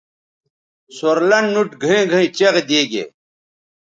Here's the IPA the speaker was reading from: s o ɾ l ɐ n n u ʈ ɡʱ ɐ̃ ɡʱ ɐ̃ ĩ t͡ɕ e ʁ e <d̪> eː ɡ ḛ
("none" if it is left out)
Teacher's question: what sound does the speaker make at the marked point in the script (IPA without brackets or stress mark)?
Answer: d̪